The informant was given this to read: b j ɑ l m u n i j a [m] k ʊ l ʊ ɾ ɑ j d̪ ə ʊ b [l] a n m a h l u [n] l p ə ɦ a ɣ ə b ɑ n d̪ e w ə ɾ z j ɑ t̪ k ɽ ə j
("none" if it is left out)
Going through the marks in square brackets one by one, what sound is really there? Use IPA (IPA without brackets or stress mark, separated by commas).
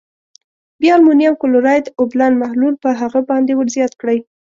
m, l, none